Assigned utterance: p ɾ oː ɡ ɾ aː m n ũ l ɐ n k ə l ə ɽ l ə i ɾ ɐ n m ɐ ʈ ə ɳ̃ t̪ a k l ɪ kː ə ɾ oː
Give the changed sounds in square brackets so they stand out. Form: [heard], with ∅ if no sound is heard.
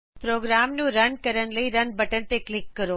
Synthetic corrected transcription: p ɾ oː ɡ ɾ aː m n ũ [ɾ] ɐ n k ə [ɾ] ə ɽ l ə i ɾ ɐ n [b] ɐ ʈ ə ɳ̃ t̪ [e] k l ɪ kː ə ɾ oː